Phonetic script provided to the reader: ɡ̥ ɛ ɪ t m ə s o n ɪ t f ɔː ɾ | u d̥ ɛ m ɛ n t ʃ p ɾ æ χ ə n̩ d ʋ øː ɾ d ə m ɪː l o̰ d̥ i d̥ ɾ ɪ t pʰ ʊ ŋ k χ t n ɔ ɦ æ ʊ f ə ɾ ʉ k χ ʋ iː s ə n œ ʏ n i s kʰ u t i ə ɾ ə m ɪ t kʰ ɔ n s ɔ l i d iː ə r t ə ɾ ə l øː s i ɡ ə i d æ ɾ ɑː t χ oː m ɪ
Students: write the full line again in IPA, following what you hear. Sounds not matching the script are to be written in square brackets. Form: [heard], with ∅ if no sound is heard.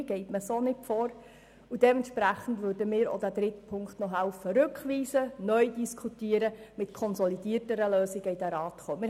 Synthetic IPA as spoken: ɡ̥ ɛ ɪ t m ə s o n ɪ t f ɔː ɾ | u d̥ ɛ m ɛ n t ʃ p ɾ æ χ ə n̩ d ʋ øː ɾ d ə m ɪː [ɾ] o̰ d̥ [æ] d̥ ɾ ɪ t pʰ ʊ ŋ k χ t n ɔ ɦ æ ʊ f ə ɾ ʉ k χ ʋ iː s ə n œ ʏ [d] i s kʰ u t i ə ɾ ə m ɪ t kʰ ɔ n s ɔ l i d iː ə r t ə ɾ ə l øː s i ɡ ə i d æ ɾ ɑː t χ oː m ɪ